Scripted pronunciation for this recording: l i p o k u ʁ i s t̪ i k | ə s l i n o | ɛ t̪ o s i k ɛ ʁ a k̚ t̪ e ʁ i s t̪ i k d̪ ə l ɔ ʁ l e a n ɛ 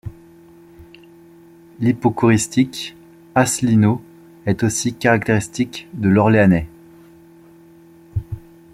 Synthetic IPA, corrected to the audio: l i p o k u ʁ i s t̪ i k | a s l i n o | ɛ t̪ o s i k a ʁ a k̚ t̪ e ʁ i s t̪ i k d̪ ə l ɔ ʁ l e a n ɛ